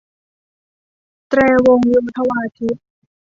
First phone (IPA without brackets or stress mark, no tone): t̪